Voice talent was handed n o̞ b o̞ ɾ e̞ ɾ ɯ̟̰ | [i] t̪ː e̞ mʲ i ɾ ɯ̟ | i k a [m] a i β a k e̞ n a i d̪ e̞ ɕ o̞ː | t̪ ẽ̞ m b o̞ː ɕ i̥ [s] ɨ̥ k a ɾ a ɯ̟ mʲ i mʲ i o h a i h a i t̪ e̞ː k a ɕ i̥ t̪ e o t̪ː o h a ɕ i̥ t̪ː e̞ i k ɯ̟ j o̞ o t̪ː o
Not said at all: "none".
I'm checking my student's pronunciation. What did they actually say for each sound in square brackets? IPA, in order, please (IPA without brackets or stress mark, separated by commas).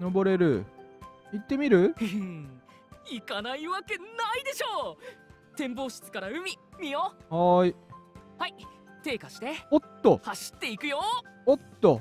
i, n, t͡s